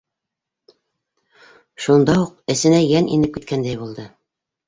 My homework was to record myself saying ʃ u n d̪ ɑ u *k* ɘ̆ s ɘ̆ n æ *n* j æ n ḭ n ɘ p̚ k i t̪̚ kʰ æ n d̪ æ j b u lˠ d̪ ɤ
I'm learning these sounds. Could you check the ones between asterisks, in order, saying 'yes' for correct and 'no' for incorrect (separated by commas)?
no, no